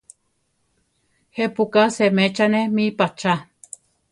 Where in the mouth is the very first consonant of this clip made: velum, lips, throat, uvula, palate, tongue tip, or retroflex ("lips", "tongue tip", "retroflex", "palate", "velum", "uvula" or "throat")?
throat